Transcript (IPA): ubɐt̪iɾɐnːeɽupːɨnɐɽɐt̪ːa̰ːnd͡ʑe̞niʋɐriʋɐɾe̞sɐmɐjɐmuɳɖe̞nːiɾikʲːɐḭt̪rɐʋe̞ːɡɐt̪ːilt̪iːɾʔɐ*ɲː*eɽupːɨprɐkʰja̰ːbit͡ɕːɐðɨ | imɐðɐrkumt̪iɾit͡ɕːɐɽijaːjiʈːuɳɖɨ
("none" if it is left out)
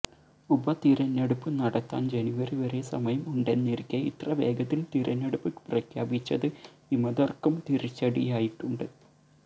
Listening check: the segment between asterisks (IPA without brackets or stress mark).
nː